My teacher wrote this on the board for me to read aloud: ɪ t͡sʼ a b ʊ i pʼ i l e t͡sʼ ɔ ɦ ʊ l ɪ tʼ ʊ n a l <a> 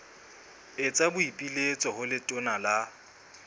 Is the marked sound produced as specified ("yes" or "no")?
yes